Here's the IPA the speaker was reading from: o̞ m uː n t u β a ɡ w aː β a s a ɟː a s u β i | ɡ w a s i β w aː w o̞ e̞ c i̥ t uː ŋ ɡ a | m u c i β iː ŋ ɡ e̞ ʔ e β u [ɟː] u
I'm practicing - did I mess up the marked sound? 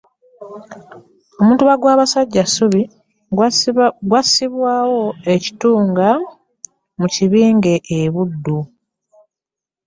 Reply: yes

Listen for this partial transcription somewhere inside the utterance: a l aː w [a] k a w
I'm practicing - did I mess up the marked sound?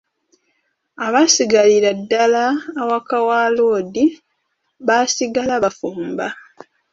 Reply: no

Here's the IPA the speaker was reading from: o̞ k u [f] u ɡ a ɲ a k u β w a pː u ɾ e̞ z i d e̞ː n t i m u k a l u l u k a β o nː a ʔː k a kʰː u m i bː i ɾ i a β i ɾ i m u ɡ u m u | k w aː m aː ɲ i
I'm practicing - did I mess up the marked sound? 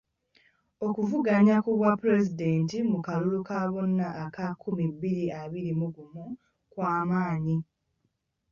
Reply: yes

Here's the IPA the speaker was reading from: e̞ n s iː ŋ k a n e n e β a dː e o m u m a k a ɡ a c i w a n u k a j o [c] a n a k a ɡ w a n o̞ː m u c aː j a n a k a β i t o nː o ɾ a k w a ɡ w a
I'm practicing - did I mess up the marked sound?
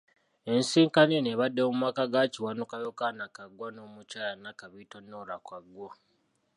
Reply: yes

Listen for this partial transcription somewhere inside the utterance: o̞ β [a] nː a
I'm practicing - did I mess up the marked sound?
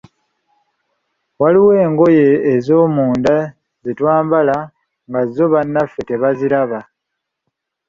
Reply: no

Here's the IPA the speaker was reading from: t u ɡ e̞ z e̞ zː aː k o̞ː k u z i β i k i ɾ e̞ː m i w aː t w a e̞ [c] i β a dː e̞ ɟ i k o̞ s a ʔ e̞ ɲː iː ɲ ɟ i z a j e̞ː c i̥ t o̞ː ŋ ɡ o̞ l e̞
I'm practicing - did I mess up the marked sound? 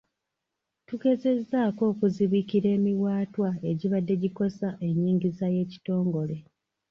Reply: yes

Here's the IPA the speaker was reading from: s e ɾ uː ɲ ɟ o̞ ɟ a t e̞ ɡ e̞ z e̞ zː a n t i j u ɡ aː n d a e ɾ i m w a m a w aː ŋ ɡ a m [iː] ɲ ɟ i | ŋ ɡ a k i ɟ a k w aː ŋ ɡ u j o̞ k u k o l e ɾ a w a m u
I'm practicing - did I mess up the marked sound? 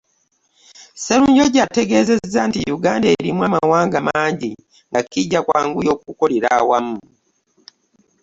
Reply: yes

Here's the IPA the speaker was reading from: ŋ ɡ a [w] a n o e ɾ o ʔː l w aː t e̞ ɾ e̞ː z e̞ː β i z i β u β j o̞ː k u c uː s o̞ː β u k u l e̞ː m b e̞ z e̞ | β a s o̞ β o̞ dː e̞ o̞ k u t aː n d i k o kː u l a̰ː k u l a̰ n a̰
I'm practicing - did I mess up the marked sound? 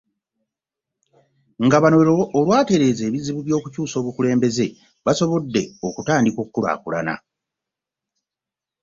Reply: yes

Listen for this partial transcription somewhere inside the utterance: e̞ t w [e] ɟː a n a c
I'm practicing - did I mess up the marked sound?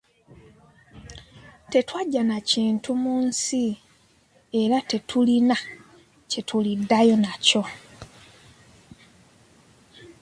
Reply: yes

